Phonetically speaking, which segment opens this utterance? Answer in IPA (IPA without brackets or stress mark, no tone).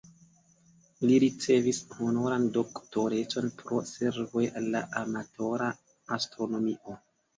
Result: l